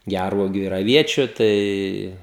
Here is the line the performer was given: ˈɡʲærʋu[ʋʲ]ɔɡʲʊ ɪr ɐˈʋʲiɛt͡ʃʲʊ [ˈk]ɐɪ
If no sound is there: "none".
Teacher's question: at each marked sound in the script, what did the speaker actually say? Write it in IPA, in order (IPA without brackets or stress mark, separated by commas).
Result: none, t